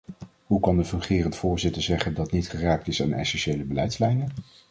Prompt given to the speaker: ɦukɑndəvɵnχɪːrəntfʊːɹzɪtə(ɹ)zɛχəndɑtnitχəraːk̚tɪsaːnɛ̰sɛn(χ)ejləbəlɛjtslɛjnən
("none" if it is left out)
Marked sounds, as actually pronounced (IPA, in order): ɹ, ʃ

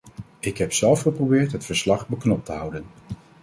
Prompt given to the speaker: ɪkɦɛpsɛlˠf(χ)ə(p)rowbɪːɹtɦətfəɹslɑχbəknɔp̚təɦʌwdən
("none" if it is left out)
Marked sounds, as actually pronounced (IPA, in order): χ, p

